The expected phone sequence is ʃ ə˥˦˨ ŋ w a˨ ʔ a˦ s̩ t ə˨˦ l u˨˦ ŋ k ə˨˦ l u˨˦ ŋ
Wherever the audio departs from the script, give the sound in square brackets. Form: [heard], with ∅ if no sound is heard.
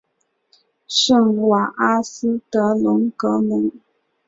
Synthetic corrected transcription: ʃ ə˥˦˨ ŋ w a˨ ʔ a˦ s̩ t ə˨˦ l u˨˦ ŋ k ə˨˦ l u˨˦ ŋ